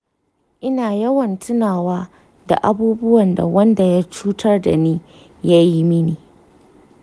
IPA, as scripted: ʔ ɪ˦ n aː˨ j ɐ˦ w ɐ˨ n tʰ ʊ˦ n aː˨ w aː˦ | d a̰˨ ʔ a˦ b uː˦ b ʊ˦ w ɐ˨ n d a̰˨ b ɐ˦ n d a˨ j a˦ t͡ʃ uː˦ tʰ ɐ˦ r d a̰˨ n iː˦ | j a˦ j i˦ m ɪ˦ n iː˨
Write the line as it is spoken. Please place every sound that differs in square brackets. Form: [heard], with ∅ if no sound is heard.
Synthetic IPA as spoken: ʔ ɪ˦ n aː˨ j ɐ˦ w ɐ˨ n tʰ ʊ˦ n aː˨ w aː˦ | d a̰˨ ʔ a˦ b uː˦ b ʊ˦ w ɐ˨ n d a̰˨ [w] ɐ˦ n d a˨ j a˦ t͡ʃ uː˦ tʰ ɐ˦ r d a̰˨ n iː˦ | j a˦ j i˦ m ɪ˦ n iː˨

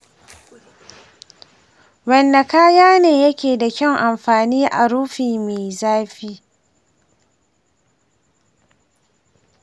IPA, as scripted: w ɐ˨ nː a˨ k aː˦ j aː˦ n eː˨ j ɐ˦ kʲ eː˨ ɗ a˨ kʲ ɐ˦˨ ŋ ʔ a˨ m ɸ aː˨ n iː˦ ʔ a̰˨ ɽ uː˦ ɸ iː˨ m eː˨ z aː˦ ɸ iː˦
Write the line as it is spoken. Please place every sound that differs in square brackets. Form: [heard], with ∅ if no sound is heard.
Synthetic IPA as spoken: w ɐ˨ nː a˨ k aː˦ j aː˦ n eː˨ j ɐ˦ kʲ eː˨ [d] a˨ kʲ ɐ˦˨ ŋ ʔ a˨ m ɸ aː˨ n iː˦ ʔ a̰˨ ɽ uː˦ ɸ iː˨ m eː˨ z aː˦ ɸ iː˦

